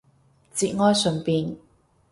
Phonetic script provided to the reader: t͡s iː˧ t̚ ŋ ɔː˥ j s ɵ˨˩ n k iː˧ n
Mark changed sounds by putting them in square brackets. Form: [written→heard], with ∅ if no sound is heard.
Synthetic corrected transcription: t͡s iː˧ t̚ ŋ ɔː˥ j s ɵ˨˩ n [k→p] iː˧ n